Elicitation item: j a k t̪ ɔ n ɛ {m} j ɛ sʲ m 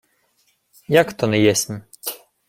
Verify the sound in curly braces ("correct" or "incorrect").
incorrect